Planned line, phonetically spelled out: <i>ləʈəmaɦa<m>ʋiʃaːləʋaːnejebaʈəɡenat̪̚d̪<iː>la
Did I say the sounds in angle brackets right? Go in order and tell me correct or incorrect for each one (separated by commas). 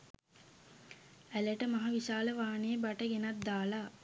incorrect, incorrect, incorrect